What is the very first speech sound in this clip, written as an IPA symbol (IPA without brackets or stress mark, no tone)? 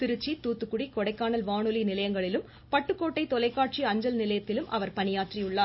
t̪